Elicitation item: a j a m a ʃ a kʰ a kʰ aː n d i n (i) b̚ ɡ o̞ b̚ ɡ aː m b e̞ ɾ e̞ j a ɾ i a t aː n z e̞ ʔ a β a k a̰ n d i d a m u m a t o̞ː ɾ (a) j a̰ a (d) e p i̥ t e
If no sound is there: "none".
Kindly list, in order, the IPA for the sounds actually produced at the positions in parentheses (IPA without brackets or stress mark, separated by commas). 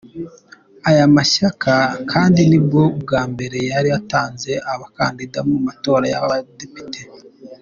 i, a, d